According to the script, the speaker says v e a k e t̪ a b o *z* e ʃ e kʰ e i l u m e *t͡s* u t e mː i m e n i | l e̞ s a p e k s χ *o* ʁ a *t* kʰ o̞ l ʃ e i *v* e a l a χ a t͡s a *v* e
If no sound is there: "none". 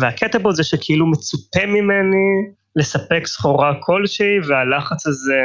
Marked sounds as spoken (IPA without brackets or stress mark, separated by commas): z, t͡s, o, none, v, z